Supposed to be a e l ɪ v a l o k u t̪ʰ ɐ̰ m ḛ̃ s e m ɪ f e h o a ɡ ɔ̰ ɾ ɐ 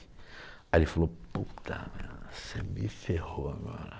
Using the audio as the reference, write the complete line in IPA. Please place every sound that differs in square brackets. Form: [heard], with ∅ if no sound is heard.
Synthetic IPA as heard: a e l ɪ [f] a l o [p] u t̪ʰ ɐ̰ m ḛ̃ s e m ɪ f e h o a ɡ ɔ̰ ɾ ɐ